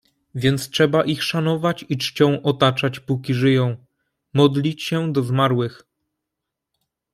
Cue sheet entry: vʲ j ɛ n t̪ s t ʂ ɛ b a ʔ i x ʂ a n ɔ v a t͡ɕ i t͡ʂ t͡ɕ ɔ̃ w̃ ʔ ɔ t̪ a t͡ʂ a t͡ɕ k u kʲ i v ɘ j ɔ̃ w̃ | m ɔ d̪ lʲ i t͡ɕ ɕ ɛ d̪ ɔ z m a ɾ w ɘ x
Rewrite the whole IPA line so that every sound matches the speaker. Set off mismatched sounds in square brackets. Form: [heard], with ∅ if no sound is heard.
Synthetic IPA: vʲ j ɛ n t̪ s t ʂ ɛ b a ʔ i x ʂ a n ɔ v a t͡ɕ i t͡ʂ t͡ɕ ɔ̃ w̃ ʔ ɔ t̪ a t͡ʂ a t͡ɕ [p] u kʲ i [ʐ] ɘ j ɔ̃ w̃ | m ɔ d̪ lʲ i t͡ɕ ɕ ɛ d̪ ɔ z m a ɾ w ɘ x